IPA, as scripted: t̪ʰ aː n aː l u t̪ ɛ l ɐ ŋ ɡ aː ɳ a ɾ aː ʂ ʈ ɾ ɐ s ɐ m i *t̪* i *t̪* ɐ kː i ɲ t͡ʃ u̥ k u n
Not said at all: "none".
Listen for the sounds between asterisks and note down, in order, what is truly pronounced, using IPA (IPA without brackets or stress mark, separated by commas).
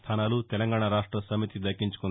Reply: t̪, d̪